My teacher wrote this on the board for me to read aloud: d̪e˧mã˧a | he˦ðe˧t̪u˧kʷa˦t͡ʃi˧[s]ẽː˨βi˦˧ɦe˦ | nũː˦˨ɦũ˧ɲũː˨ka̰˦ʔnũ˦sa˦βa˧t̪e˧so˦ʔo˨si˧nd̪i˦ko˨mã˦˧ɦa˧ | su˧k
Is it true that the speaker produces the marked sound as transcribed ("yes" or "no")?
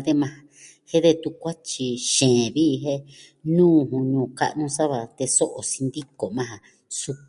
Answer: no